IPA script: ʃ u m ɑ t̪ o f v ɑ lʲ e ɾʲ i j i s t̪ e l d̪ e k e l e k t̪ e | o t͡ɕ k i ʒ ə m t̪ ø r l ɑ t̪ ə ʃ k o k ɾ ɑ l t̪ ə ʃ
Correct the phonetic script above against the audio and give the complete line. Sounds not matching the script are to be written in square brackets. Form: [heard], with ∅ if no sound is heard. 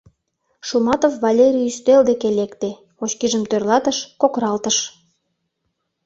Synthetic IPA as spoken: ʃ u m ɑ t̪ o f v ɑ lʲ e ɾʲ i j [y] s t̪ e l d̪ e k e l e k t̪ e | o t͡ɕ k i ʒ ə m t̪ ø r l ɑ t̪ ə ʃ k o k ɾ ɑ l t̪ ə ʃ